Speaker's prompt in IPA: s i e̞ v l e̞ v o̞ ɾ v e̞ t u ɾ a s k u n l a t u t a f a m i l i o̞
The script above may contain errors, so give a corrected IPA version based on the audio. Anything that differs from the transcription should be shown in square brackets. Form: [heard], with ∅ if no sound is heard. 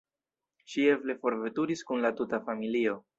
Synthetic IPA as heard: [ʃ] i e̞ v l e̞ [f] o̞ ɾ v e̞ t u ɾ [i] s k u n l a t u t a f a m i l i o̞